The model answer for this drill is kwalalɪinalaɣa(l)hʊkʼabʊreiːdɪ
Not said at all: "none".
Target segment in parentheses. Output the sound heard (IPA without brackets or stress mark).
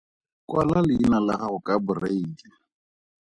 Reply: none